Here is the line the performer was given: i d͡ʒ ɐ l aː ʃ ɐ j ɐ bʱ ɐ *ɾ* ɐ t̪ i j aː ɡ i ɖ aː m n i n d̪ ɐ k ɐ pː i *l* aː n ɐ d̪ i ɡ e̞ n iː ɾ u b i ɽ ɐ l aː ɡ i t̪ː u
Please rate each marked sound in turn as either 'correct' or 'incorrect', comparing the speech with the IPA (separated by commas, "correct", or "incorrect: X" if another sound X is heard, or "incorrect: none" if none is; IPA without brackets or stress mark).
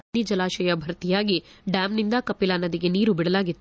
correct, correct